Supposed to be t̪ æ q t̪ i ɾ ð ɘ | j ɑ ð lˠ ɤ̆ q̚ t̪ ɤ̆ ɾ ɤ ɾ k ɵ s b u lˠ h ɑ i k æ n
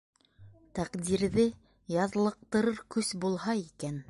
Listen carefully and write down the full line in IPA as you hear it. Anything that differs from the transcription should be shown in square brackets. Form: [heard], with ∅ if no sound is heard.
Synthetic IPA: t̪ æ q [d̪] i ɾ ð ɘ | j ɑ ð lˠ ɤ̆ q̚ t̪ ɤ̆ ɾ ɤ ɾ k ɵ s b u lˠ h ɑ i k æ n